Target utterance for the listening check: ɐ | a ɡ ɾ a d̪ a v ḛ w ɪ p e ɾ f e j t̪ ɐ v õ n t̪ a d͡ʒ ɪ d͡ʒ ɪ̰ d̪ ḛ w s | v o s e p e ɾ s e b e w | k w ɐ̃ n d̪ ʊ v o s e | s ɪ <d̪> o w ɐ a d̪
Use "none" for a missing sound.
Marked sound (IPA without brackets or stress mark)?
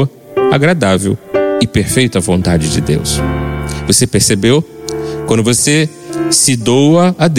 d̪